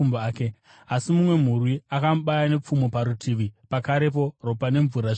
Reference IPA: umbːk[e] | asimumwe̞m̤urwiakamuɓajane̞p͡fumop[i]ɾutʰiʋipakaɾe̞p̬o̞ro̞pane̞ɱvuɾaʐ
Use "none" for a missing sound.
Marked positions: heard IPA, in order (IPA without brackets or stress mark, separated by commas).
e, a